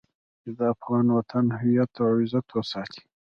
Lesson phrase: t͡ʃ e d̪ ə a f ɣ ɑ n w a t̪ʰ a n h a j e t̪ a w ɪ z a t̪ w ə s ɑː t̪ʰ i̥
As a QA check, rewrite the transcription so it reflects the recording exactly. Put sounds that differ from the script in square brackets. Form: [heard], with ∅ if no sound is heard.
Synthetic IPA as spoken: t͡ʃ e d̪ ə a f ɣ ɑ n w a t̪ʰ a n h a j [a] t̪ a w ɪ z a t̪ w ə s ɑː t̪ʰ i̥